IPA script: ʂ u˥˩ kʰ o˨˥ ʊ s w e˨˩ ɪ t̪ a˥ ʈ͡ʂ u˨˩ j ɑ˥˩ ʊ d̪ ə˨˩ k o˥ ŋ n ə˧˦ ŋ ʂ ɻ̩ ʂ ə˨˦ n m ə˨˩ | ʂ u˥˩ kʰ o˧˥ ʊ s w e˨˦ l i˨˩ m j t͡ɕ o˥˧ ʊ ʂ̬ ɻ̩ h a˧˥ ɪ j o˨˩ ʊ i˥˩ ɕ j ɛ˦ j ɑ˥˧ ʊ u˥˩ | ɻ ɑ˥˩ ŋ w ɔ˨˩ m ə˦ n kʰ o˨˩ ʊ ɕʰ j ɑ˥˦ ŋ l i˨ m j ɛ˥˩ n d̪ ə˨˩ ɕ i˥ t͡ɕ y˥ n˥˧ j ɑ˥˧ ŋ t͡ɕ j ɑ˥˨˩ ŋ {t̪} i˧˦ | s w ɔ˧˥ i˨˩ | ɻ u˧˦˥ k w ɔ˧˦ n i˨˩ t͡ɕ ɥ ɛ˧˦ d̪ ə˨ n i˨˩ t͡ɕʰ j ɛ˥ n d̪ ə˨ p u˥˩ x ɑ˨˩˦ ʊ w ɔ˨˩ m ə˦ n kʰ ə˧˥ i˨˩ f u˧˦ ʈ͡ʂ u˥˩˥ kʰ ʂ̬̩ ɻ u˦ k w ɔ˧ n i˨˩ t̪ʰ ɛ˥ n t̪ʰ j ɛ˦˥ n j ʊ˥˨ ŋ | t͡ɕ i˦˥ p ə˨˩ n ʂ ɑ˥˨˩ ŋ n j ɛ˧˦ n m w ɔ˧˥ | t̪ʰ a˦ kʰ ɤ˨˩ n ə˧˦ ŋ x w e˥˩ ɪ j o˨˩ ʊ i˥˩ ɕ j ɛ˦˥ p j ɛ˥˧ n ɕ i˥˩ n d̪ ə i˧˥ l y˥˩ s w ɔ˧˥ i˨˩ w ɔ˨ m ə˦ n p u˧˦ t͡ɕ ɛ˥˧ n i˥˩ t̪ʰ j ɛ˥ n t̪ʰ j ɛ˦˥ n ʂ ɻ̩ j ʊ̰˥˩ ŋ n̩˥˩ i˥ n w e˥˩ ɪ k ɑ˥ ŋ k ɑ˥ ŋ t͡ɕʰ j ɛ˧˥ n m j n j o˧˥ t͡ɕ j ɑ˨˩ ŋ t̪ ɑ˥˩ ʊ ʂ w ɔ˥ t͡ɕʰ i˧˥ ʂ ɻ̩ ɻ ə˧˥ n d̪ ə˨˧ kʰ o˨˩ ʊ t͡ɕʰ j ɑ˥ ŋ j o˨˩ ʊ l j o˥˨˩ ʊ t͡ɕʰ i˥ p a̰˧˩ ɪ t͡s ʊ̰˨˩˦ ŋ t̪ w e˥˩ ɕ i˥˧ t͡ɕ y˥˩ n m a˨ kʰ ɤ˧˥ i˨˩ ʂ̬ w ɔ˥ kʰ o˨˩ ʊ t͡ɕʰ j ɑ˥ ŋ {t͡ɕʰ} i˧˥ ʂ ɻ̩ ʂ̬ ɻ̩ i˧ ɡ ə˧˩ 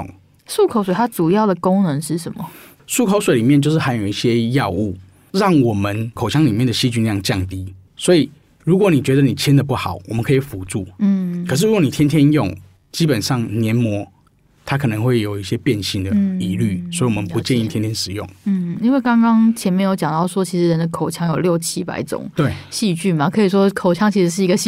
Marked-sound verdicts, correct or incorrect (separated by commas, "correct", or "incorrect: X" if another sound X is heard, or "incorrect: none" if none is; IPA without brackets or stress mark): correct, correct